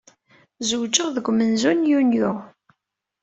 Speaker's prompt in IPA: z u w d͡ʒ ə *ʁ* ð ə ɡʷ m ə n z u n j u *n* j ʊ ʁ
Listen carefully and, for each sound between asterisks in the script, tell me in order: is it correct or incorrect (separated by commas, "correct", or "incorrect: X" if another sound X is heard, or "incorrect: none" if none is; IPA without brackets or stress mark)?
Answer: correct, correct